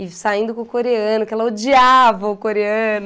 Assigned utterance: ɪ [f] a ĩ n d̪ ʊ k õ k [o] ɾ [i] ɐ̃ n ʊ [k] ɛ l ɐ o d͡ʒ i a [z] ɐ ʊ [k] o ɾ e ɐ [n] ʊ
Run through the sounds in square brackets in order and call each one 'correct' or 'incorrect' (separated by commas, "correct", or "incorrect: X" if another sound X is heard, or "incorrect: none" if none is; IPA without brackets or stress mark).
incorrect: s, correct, incorrect: e, correct, incorrect: v, correct, correct